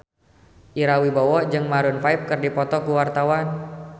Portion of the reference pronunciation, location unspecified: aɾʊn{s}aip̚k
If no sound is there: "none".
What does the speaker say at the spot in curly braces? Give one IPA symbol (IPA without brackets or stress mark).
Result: f